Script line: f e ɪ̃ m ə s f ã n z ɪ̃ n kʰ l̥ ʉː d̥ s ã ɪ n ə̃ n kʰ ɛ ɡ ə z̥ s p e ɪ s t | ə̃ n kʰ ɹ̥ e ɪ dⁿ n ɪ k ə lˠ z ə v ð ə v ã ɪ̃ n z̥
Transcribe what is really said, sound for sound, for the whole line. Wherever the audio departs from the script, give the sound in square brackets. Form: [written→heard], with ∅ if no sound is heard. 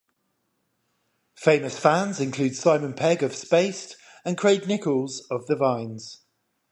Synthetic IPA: f e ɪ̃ m ə s f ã n z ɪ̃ n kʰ l̥ ʉː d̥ s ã ɪ [n→m] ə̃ n [kʰ→pʰ] ɛ ɡ ə [z̥→v̥] s p e ɪ s t | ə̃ n kʰ ɹ̥ e ɪ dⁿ n ɪ k ə lˠ z ə v ð ə v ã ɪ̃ n z̥